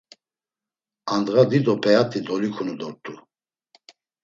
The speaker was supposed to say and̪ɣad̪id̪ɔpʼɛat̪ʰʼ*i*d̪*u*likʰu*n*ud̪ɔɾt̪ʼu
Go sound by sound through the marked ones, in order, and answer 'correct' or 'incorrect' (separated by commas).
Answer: correct, incorrect, correct